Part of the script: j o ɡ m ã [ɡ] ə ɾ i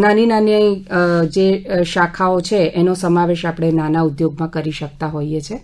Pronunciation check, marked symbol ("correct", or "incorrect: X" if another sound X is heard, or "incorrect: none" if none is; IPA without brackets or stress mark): incorrect: k